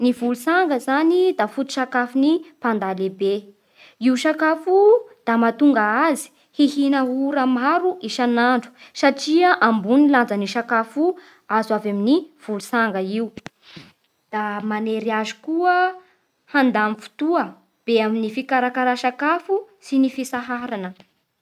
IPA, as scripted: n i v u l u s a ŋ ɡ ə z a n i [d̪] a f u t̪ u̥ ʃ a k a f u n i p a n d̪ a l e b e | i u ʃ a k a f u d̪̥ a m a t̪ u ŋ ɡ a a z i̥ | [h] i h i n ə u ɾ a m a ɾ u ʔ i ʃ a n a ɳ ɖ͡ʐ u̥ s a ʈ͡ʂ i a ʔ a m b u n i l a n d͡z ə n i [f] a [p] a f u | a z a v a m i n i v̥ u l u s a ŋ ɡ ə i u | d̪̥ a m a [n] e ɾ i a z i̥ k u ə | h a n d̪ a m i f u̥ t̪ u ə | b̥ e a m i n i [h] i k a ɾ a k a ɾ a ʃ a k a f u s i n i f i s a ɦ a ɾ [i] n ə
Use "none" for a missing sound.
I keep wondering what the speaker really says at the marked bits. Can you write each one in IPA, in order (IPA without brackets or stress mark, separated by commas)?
d̪, h, ʃ, k, n, f, a